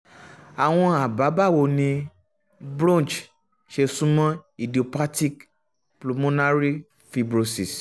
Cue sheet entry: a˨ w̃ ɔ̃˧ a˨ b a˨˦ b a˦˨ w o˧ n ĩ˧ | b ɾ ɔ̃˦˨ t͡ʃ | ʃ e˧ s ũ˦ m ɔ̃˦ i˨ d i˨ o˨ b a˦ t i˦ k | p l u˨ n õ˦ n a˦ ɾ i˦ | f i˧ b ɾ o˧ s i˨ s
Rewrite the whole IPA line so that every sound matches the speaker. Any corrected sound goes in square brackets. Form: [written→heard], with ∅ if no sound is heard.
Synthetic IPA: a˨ w̃ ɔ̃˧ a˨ b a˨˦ b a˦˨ w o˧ n ĩ˧ | b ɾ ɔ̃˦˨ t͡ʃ | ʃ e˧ s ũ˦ m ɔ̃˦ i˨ d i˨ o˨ [b→p] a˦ t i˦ k | p l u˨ [n→m] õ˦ n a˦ ɾ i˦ | f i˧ b ɾ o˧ s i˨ s